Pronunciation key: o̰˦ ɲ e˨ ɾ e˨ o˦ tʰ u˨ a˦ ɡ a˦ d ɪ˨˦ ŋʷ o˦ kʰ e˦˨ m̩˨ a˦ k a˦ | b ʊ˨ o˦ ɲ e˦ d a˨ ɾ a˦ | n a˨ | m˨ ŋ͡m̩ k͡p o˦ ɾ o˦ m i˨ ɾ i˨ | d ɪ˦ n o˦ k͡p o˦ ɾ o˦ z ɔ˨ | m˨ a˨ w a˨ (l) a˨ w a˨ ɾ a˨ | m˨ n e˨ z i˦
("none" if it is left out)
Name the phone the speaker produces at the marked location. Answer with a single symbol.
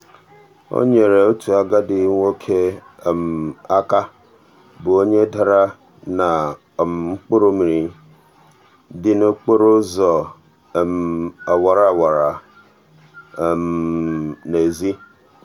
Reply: ɾ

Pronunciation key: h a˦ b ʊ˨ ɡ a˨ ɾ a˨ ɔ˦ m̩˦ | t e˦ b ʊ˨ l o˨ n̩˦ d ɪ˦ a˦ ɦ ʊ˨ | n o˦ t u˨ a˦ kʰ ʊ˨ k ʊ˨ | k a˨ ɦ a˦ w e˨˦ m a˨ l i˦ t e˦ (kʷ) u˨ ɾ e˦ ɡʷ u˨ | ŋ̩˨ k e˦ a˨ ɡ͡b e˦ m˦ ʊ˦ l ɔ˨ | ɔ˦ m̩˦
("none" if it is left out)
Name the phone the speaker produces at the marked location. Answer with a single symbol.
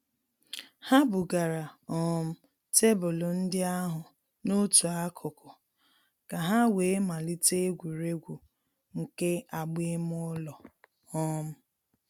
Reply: ɡʷ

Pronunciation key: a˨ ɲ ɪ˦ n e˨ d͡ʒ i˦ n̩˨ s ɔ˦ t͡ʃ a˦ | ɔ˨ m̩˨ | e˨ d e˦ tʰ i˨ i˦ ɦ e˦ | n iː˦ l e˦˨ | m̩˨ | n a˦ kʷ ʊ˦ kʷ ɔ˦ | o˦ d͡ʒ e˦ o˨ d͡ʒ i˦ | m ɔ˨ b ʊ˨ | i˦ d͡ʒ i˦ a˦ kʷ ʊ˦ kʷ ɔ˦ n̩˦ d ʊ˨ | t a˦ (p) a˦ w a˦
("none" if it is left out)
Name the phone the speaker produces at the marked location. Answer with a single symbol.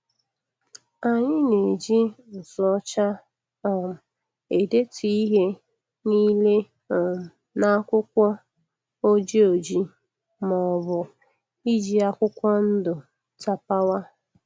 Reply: p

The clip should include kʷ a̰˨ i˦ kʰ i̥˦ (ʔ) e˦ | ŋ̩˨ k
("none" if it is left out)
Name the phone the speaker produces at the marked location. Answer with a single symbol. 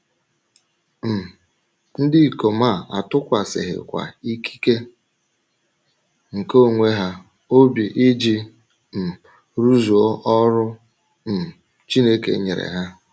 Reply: k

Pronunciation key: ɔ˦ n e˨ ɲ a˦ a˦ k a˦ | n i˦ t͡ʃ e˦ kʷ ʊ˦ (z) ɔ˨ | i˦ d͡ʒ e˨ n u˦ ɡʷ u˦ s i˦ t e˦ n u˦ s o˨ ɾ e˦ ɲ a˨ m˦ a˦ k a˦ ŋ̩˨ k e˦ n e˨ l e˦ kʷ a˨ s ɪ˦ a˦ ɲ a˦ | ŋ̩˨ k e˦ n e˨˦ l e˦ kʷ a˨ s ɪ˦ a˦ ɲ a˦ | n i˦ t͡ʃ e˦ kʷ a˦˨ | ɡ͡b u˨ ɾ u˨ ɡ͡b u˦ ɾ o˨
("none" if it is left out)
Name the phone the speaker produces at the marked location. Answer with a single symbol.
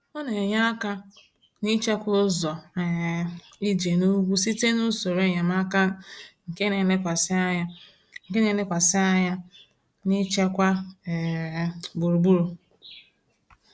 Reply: z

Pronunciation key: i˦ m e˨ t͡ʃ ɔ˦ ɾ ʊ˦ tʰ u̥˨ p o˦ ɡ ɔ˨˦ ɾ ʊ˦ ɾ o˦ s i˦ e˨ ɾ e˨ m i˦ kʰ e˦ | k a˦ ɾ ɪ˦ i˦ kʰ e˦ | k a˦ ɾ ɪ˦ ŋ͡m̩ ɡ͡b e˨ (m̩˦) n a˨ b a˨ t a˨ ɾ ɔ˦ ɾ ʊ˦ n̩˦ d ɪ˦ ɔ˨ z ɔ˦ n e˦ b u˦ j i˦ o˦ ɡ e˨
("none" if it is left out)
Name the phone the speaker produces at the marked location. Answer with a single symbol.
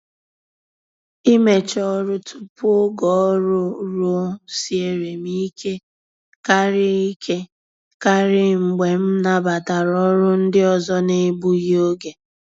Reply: m̩˦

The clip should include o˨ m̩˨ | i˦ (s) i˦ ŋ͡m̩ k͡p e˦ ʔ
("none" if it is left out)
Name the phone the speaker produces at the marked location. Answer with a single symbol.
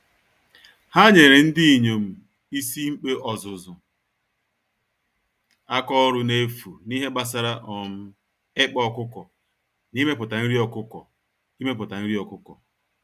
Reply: s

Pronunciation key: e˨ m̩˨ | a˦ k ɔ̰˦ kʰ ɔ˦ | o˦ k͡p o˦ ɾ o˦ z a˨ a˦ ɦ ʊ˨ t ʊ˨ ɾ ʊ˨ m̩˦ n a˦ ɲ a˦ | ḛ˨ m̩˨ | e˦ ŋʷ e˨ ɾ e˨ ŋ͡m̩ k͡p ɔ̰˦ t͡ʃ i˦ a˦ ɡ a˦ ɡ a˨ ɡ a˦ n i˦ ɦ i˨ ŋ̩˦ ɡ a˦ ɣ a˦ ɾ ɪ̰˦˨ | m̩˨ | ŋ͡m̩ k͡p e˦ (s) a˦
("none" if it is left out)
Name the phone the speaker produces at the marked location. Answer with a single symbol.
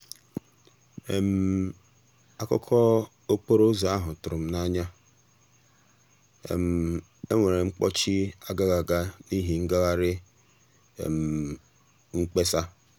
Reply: s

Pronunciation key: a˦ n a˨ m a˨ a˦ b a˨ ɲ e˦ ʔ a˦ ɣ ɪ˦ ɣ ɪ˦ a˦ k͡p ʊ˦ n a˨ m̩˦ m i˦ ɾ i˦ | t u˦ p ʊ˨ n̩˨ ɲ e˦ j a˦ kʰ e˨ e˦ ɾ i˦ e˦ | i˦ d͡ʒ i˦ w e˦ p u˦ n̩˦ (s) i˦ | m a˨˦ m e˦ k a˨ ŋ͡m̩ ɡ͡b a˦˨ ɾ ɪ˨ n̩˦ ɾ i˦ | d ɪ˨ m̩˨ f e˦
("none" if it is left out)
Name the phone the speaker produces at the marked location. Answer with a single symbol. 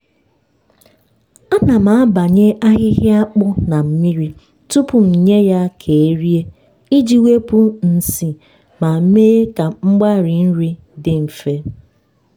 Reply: s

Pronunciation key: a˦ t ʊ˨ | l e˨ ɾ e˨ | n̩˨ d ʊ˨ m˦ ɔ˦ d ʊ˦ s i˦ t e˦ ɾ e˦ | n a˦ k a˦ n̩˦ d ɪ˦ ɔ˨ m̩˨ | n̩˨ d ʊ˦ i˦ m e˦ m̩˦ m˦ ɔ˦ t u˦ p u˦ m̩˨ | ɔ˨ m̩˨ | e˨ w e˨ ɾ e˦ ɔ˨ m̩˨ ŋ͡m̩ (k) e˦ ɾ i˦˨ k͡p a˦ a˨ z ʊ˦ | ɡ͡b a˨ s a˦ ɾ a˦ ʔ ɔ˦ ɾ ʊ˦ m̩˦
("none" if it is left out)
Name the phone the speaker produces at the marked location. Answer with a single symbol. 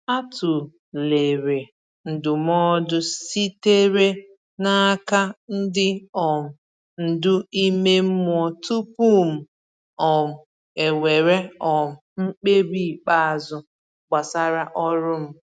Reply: k͡p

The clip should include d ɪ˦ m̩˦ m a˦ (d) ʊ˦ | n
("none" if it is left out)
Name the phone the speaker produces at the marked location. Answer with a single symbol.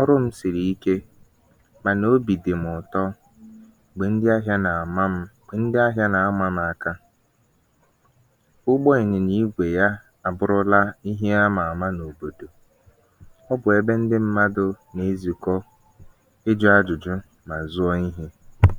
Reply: d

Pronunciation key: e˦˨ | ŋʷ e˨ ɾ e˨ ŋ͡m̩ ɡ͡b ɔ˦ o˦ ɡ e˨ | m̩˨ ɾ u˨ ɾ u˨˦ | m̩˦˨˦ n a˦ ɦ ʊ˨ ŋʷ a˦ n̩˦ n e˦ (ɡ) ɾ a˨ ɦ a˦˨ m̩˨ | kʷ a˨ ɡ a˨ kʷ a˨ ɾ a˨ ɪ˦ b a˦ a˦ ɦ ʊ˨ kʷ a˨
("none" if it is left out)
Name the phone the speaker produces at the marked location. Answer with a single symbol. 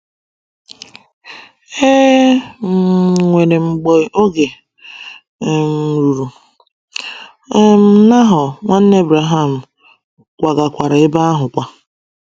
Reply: b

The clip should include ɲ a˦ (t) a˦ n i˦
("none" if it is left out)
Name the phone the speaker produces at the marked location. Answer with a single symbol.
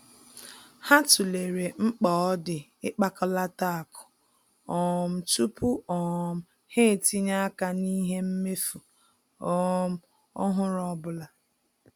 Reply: k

